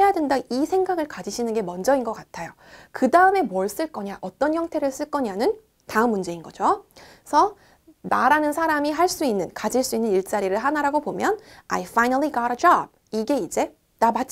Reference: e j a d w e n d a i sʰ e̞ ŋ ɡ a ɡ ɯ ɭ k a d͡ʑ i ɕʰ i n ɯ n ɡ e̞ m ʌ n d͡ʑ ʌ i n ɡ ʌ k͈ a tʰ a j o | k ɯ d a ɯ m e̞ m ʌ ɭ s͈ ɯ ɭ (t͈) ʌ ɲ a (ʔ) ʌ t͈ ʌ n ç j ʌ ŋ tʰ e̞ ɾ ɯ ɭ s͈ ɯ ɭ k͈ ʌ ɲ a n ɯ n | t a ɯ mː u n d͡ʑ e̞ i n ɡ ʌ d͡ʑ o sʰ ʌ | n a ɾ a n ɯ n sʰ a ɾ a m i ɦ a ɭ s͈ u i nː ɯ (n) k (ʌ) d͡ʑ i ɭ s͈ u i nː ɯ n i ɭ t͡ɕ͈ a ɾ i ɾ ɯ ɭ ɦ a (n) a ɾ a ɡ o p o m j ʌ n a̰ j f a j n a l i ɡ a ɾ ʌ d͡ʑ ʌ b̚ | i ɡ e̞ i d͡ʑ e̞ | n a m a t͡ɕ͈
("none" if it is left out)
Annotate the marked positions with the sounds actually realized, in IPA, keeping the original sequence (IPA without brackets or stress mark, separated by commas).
k͈, ʔ, n, a, n